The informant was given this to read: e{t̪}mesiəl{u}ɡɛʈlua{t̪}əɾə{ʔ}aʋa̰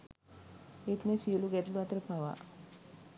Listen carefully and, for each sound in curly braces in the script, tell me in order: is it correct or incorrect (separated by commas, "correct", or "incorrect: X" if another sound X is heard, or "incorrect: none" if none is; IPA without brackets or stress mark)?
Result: correct, correct, correct, incorrect: p